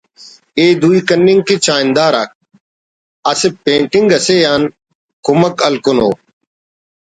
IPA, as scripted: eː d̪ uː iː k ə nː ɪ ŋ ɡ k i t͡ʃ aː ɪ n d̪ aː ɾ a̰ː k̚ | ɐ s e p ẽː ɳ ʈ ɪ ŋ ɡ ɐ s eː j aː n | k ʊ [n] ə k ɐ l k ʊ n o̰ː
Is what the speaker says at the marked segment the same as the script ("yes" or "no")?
no